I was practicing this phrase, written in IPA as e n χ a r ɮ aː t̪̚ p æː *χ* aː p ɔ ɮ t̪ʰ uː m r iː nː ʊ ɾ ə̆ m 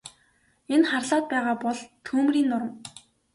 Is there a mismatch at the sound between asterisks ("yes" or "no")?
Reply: yes